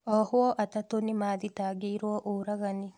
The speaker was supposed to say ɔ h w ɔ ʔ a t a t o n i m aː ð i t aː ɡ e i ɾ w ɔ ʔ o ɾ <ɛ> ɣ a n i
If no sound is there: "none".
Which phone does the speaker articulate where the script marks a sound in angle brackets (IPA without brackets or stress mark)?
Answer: a